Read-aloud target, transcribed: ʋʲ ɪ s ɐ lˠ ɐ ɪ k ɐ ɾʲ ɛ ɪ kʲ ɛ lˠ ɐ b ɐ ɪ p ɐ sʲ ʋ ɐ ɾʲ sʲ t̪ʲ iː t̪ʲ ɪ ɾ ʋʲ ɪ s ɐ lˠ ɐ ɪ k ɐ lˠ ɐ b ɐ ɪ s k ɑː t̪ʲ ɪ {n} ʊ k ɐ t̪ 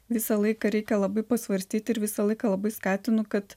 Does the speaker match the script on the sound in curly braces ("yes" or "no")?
yes